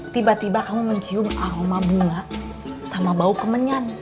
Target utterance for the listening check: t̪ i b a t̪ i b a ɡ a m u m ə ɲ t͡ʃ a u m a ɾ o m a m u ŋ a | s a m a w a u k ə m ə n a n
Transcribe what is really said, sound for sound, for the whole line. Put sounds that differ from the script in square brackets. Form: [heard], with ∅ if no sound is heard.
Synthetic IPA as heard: t̪ i b a t̪ i b a [k] a m u m ə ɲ t͡ʃ [i] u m a ɾ o m a [b] u ŋ a | s a m a [b] a u k ə m ə [ɲ] a n